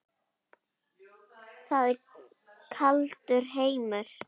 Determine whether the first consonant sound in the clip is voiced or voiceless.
voiceless